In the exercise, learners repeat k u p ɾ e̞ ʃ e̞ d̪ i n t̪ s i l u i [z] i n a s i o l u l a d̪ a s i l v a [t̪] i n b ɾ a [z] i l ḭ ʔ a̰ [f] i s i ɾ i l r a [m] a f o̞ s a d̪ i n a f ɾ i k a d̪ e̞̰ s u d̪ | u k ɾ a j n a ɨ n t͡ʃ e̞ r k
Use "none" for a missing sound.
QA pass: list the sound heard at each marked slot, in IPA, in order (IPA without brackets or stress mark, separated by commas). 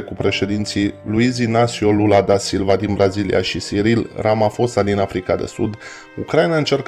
z, d̪, z, ʃ, m